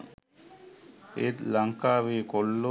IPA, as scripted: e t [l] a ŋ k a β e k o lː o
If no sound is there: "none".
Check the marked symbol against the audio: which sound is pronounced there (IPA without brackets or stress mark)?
l